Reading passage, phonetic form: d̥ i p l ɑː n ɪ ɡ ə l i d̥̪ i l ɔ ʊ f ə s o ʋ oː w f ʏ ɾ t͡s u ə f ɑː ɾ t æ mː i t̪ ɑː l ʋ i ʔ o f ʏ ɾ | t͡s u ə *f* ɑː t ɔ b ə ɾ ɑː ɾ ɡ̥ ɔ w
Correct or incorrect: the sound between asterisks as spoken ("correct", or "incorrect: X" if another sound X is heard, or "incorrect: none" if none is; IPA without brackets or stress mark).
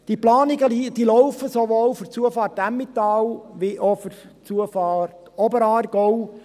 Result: correct